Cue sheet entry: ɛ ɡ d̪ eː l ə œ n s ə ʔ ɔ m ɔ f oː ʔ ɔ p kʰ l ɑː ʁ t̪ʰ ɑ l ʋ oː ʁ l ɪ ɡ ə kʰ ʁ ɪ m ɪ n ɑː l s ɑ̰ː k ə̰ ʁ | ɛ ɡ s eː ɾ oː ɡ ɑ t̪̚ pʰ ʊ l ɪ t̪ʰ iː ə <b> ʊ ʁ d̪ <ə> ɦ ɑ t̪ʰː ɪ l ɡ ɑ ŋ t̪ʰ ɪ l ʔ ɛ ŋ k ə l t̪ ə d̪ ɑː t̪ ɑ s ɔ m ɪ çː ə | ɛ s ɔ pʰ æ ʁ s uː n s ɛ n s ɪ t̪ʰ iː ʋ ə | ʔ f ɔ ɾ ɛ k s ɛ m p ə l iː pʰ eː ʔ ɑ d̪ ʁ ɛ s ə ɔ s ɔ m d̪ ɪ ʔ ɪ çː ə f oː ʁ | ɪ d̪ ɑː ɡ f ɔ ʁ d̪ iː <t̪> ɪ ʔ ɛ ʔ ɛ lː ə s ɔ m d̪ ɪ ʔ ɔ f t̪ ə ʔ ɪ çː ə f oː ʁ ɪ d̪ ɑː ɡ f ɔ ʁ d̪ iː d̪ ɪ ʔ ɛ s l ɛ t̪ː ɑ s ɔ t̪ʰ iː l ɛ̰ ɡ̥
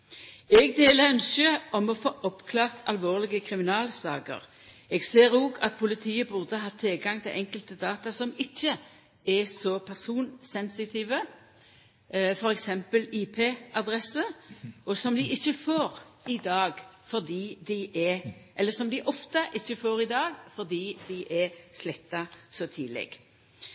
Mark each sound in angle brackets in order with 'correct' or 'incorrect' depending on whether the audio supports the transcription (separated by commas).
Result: correct, correct, incorrect